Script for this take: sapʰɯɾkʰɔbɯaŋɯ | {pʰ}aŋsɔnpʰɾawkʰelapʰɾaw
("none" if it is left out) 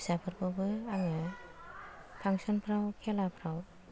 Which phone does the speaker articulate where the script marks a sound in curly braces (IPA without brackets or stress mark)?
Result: pʰ